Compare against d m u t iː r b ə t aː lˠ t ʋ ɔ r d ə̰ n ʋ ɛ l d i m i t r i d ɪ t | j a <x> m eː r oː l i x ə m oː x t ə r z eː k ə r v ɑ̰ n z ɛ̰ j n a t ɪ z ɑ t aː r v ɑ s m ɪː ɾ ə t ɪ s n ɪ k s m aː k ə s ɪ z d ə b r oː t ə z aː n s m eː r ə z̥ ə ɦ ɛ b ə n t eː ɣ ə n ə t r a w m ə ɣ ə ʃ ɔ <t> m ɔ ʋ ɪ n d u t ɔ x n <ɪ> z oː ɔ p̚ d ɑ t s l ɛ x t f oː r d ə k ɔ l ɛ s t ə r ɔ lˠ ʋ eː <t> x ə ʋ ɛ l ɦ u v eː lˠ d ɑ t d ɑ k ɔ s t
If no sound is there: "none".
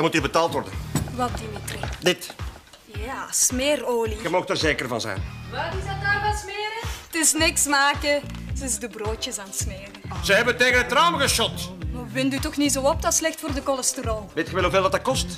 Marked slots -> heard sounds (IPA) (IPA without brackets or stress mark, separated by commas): s, t, i, t